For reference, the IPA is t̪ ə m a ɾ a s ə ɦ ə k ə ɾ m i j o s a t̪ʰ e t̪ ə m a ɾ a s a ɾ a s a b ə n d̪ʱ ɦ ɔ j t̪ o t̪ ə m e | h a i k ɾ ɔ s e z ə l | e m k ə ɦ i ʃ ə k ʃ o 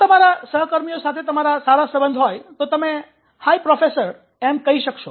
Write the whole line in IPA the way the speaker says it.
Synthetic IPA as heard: t̪ ə m a ɾ a s ə ɦ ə k ə ɾ m i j o s a t̪ʰ e t̪ ə m a ɾ a s a ɾ a s ə b ə n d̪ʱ ɦ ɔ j t̪ o t̪ ə m e | h a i p ɾ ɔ f e s ə ɾ | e m k ə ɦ i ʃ ə k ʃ o